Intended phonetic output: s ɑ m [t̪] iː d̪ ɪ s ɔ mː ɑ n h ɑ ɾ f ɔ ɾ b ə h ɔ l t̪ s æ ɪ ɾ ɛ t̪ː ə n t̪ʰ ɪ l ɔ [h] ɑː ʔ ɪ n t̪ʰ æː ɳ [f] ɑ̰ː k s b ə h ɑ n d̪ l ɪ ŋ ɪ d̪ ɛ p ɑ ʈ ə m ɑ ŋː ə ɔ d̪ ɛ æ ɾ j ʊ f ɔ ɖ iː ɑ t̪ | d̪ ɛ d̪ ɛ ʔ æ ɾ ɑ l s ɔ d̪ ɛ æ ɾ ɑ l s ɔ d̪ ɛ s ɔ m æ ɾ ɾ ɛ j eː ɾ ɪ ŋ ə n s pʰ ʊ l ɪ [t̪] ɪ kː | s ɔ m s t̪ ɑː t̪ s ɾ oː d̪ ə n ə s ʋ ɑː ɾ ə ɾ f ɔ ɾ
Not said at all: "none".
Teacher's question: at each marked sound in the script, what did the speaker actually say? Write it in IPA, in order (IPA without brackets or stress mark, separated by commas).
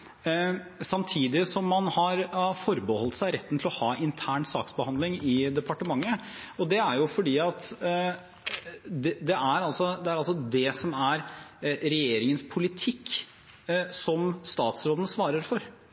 t̪ʰ, h, s, t̪ʰ